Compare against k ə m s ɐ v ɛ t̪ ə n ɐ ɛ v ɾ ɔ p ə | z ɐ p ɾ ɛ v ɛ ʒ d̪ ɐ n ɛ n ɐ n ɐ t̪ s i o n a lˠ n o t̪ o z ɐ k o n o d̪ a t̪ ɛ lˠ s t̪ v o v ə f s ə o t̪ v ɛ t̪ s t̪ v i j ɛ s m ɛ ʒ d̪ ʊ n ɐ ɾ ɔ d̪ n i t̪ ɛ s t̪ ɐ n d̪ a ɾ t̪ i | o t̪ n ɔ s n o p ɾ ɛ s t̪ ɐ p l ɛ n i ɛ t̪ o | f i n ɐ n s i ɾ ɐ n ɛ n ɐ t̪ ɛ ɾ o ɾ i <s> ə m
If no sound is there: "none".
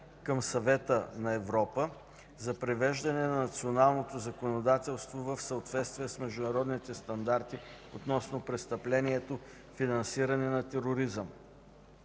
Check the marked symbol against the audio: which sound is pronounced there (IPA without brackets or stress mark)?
z